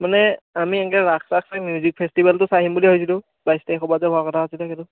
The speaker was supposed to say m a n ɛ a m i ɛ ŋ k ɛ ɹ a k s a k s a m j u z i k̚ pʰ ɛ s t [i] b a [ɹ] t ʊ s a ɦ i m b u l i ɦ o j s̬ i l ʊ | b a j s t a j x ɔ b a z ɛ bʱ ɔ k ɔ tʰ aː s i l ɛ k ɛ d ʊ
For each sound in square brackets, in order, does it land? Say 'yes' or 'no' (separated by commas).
yes, no